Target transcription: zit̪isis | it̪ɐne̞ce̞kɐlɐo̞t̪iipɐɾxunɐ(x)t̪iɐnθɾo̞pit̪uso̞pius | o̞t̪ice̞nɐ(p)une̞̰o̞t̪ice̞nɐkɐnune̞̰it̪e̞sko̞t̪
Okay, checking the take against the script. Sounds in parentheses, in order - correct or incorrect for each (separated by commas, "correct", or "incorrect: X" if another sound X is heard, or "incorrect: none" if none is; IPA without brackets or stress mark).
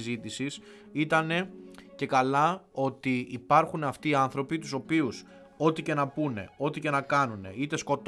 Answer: incorrect: f, correct